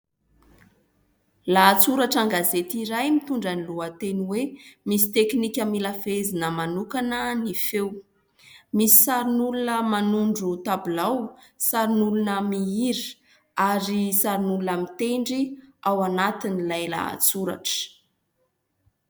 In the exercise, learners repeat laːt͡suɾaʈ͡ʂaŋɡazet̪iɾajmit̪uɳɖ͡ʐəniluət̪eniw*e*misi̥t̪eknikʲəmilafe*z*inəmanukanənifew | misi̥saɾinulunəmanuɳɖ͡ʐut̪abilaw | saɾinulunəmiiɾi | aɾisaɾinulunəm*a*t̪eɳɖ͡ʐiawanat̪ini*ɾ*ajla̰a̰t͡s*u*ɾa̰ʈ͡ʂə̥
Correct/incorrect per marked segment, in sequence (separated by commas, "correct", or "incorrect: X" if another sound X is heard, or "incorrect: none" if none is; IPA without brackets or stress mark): correct, correct, incorrect: i, incorrect: l, correct